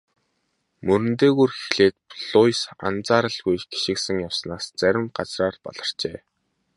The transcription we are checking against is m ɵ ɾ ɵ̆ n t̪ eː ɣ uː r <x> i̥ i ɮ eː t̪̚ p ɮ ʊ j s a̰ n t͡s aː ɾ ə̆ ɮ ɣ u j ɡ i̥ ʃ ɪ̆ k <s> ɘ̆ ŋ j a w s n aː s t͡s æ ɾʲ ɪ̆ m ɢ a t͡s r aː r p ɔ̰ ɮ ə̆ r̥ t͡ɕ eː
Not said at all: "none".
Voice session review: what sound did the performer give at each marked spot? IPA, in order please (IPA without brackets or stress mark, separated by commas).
x, s